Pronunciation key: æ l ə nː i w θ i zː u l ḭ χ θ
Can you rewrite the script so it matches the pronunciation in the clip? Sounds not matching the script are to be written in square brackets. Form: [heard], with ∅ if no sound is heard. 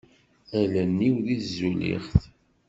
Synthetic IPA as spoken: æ l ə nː i w [ð] i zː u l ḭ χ θ